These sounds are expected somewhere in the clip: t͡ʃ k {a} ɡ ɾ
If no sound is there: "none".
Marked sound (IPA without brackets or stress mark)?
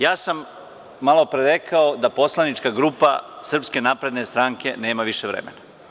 a